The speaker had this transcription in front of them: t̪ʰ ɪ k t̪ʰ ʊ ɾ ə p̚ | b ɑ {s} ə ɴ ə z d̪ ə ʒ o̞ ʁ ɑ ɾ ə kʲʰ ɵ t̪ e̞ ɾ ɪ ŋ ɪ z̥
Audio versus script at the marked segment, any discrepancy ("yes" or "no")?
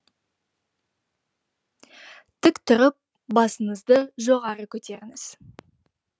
no